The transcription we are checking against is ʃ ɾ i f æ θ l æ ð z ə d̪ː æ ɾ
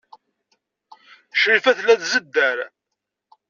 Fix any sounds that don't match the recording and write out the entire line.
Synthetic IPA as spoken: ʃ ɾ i f æ θ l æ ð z ə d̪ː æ ɾ